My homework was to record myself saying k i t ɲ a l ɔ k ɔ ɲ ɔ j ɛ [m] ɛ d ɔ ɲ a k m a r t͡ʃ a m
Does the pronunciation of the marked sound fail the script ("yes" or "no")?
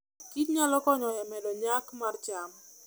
no